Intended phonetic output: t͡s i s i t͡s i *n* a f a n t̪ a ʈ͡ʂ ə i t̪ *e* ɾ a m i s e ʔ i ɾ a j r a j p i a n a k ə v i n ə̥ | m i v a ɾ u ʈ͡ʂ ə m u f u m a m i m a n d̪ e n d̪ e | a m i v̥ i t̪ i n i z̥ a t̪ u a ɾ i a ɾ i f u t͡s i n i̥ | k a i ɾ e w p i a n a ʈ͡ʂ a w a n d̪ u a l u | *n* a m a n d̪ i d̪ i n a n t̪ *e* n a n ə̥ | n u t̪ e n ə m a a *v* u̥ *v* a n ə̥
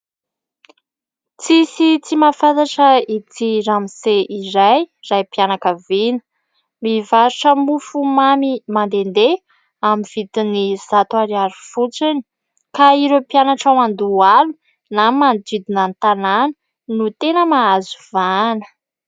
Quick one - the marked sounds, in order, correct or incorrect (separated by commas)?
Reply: incorrect, incorrect, correct, incorrect, incorrect, correct